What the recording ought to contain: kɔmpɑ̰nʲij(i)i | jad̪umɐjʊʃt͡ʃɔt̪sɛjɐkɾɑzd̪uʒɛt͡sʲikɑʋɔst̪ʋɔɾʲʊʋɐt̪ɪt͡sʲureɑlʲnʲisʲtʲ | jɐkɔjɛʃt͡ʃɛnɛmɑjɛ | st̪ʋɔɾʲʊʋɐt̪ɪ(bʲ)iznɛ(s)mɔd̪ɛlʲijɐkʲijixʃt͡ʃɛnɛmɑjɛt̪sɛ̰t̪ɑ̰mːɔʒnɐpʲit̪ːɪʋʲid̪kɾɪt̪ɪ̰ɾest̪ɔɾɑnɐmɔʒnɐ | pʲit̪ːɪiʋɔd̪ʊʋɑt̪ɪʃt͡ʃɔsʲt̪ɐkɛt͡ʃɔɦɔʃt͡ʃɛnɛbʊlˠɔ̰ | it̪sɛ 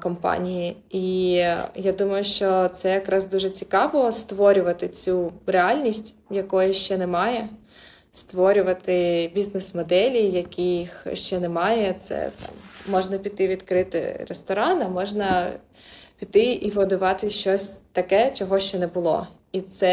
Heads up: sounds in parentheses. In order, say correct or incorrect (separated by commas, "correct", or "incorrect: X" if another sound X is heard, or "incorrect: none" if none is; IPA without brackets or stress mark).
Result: correct, correct, correct